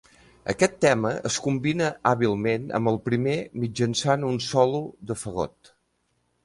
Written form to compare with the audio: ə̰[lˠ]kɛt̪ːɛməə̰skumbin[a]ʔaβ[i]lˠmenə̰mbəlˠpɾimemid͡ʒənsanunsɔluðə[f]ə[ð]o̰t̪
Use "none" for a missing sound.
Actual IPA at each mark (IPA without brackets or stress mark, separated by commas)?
none, ə, i, f, ɣ